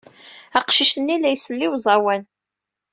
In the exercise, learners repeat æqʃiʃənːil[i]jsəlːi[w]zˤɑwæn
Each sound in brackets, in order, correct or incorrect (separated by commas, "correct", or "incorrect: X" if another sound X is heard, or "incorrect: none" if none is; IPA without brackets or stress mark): incorrect: æ, correct